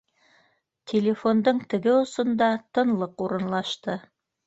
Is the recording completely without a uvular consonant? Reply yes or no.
no